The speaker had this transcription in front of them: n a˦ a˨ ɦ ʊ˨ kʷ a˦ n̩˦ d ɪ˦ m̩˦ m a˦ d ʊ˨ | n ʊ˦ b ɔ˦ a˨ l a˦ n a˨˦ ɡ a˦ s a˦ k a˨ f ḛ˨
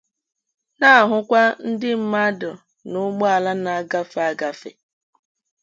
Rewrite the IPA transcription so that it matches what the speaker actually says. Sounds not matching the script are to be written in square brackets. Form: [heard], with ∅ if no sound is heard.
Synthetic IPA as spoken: n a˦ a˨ ɦ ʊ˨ kʷ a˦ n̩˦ d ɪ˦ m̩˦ m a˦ d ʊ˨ | n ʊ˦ [ɡ͡b] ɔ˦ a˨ l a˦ n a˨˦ ɡ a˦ [f] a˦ [ɡ] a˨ f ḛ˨

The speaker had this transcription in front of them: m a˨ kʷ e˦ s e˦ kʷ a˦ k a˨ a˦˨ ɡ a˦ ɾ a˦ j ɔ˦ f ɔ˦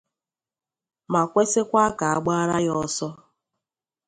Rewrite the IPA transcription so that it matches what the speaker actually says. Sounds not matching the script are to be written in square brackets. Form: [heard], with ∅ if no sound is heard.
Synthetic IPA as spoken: m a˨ kʷ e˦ s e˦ kʷ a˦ k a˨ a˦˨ [ɡ͡b] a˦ ɾ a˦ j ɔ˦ [s] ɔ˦

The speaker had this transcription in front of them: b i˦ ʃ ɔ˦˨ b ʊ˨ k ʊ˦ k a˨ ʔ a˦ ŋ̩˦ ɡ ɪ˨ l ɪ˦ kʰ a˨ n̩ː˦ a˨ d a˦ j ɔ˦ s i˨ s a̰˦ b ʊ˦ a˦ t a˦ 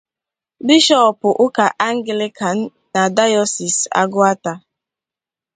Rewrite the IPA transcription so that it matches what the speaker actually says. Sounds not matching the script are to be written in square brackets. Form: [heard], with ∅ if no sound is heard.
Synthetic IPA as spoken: b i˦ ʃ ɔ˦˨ [p] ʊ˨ [ʔ] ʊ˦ k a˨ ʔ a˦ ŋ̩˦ ɡ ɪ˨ l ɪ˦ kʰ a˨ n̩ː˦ a˨ d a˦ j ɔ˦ s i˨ s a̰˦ [ɡ] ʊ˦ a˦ t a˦

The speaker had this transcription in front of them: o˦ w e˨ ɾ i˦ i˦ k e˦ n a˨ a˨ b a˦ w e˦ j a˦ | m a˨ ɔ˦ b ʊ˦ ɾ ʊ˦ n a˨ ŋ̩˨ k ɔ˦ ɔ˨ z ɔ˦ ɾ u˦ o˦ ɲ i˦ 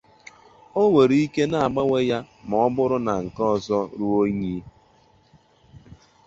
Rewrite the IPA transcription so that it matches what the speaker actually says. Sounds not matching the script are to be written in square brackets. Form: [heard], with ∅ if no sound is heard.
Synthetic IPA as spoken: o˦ w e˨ ɾ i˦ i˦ k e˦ n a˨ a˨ [ɡ͡b] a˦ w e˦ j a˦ | m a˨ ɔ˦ b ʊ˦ ɾ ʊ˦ n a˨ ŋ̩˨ k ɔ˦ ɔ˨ z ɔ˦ ɾ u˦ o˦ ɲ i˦

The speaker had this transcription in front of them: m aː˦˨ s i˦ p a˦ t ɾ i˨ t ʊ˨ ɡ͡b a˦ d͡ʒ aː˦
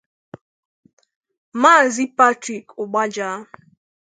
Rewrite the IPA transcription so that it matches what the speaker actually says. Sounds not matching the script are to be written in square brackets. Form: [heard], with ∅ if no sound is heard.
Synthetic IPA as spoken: m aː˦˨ [z] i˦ p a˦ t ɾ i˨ [k] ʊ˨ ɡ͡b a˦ d͡ʒ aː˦

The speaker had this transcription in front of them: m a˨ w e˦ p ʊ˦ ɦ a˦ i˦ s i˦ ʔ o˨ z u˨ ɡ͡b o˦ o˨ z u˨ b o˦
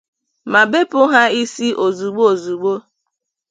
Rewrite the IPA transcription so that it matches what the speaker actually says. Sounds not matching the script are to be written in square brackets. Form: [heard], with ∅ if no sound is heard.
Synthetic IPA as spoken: m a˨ [b] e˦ p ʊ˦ ɦ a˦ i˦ s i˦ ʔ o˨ z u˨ ɡ͡b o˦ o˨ z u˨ [ɡ͡b] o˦

